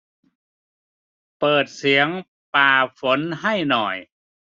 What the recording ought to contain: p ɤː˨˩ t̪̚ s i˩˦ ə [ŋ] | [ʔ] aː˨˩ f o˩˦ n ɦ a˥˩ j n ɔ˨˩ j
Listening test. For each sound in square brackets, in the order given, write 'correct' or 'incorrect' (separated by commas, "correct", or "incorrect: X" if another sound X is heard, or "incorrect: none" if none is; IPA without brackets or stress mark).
correct, incorrect: p